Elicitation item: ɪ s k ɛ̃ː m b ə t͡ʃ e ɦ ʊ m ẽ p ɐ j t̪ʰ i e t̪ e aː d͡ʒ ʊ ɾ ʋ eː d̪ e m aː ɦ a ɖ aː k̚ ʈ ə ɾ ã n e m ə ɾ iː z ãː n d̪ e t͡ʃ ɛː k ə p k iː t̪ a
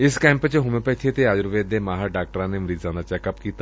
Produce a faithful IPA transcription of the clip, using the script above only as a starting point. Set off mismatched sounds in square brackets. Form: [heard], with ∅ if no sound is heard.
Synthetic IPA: ɪ s k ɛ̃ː m [p] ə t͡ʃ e ɦ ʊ m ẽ p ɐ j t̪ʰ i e t̪ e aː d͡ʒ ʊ ɾ ʋ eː d̪ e m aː ɦ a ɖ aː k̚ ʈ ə ɾ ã n e m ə ɾ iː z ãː n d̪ [a] t͡ʃ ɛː k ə p k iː t̪ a